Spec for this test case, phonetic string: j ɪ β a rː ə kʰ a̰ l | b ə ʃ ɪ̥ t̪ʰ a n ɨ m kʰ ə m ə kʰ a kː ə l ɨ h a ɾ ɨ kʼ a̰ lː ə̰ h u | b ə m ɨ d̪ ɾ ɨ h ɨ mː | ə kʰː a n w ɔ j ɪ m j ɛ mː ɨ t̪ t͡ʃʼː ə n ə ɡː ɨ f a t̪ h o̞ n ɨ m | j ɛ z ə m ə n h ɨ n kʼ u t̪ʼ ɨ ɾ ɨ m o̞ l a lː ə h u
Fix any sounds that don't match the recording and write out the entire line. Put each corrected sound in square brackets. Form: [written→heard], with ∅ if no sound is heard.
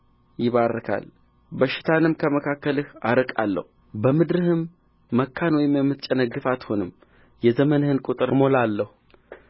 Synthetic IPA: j ɪ β a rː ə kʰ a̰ l | b ə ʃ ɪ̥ t̪ʰ a n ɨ m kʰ ə m ə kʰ a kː ə l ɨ h a ɾ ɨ kʼ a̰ lː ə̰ h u | b ə m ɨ d̪ ɾ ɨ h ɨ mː | ə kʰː a n w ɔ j ɪ m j ɛ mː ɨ t̪ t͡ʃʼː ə n ə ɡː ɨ f a t̪ h o̞ n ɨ m | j ɛ z ə m ə n h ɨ n kʼ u t̪ʼ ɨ ɾ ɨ m o̞ l a lː ə h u